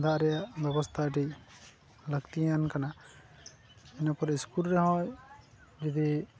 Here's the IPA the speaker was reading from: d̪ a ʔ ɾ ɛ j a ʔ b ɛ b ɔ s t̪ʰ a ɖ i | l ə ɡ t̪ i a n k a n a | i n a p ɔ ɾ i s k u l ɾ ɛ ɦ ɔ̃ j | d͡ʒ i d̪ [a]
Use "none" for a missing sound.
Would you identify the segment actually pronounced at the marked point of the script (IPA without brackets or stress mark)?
i